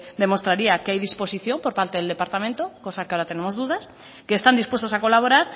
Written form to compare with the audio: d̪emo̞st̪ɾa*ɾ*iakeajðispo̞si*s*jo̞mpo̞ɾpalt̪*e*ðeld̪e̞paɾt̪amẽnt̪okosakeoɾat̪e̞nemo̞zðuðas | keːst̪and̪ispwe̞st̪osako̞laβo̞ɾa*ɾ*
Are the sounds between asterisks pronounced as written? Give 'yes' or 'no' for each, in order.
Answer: yes, no, yes, yes

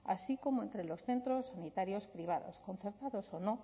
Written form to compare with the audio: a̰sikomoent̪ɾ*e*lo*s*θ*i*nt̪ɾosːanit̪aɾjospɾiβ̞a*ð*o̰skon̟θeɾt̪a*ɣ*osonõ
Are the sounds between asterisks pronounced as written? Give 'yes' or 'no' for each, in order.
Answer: yes, yes, no, yes, no

